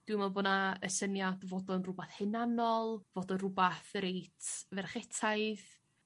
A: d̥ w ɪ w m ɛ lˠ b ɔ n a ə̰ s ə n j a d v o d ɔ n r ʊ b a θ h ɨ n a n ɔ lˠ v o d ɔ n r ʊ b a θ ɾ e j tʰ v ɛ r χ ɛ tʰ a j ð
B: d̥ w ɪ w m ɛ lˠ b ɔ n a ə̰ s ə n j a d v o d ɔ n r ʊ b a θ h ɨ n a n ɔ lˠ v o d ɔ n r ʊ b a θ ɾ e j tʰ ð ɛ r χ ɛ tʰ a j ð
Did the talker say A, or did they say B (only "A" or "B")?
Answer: A